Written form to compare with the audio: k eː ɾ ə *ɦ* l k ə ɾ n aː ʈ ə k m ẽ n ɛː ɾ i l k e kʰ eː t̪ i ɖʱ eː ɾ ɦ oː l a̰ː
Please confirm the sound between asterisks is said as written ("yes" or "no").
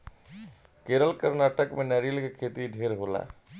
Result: no